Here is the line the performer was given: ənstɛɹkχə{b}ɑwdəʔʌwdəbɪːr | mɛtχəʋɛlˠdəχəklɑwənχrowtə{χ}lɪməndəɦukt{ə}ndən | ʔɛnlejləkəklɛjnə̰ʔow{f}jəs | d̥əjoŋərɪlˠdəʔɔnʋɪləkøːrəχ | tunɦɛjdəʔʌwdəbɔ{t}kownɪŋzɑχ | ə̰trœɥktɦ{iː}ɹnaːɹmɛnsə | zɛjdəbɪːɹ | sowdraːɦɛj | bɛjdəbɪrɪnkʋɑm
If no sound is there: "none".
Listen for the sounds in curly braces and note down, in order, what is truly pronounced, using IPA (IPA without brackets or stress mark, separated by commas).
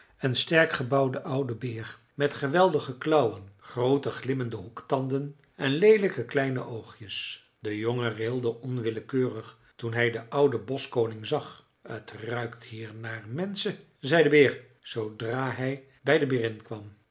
b, χ, ɑ, χ, s, iː